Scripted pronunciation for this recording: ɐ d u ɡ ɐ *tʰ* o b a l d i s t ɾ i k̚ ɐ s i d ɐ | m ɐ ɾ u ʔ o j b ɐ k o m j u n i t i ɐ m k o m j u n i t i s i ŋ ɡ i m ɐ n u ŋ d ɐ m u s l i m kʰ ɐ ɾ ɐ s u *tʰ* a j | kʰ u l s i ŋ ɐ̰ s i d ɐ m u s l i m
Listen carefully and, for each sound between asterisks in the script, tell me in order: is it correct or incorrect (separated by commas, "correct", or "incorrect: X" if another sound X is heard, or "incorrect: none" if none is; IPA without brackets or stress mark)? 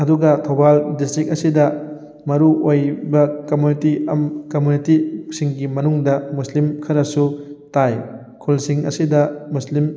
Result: correct, incorrect: t